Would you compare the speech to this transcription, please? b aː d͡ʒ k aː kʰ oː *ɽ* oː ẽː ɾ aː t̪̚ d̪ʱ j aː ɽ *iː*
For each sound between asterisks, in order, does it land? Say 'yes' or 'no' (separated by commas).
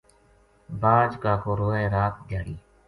no, yes